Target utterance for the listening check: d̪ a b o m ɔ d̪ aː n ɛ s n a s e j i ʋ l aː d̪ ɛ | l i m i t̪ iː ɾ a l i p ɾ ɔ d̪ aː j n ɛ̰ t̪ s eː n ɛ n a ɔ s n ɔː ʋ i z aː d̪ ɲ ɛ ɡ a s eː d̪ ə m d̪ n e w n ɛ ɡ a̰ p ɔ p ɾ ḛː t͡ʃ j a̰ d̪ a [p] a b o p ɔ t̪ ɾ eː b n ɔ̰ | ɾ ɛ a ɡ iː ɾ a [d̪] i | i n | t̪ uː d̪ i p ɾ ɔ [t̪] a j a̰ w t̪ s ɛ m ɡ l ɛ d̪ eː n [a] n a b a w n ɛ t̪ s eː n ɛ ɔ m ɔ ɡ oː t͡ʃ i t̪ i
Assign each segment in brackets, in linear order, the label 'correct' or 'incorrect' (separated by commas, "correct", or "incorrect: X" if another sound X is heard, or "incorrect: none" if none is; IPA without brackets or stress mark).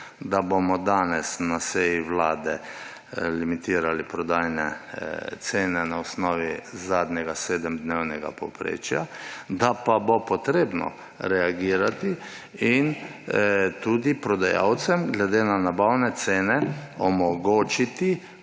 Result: correct, incorrect: t̪, incorrect: d̪, correct